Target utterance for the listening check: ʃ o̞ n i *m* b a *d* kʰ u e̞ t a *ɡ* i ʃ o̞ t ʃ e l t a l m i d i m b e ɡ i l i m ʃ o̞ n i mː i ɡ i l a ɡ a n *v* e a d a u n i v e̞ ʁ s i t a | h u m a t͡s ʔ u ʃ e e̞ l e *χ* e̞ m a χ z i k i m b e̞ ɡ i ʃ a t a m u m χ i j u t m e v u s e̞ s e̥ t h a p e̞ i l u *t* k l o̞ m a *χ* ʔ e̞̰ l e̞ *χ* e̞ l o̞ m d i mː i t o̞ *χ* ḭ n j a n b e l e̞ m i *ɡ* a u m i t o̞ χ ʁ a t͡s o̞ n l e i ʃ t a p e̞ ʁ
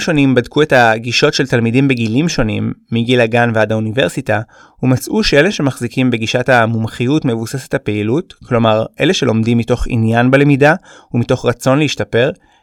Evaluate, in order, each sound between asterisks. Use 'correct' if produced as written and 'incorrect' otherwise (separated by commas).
correct, correct, correct, correct, incorrect, correct, incorrect, incorrect, correct, incorrect